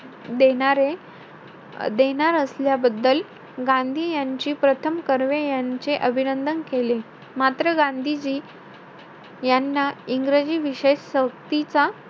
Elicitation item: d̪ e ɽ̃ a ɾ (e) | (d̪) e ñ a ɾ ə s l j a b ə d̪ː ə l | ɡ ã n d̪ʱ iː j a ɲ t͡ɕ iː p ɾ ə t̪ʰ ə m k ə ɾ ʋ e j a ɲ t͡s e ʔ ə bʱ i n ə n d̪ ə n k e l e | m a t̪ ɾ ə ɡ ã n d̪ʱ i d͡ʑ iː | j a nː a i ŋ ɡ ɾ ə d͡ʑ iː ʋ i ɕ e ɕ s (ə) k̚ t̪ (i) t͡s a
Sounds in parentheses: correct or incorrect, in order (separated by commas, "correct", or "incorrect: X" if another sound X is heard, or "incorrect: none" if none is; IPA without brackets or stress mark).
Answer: correct, correct, correct, correct